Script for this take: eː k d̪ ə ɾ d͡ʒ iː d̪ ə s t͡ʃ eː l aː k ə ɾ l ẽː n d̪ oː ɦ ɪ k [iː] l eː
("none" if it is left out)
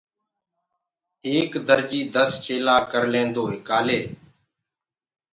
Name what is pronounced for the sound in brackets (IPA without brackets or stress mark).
aː